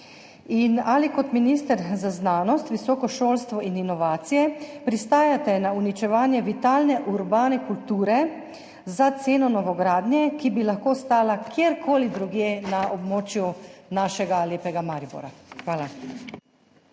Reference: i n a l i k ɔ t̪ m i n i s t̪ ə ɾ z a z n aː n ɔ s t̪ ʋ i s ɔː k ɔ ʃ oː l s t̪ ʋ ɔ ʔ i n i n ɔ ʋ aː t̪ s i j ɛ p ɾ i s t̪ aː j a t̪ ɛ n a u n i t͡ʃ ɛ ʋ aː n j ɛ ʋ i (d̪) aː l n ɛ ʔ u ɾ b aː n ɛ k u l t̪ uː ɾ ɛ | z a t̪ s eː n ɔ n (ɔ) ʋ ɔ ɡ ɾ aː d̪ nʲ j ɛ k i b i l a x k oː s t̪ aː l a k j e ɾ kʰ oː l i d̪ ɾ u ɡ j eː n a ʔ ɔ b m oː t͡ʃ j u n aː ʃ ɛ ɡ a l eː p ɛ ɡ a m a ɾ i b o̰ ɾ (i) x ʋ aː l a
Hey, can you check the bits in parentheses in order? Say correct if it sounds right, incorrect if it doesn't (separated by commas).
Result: incorrect, correct, incorrect